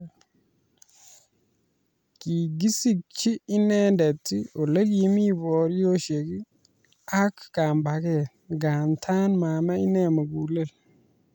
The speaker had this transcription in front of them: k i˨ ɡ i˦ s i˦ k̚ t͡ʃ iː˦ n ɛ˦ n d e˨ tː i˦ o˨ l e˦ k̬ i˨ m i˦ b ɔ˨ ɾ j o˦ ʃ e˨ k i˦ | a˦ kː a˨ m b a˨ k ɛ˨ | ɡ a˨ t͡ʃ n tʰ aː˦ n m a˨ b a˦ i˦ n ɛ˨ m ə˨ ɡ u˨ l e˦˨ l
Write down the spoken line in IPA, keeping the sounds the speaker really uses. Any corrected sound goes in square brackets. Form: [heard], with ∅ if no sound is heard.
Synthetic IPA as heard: k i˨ ɡ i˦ s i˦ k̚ t͡ʃ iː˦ n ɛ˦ n d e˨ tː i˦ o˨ l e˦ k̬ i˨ m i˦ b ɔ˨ ɾ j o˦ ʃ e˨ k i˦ | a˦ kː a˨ m b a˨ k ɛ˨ | ɡ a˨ [∅] n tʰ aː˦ n m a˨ [m] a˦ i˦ n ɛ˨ m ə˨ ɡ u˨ l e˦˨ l